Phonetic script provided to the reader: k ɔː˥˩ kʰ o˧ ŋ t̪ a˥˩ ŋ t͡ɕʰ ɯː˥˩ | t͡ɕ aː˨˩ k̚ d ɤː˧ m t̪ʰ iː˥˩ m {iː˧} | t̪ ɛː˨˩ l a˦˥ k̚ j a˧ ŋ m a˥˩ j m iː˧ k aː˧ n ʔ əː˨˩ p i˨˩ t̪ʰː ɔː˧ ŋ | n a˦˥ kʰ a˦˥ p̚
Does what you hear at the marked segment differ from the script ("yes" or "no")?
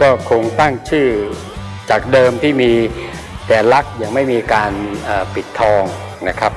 no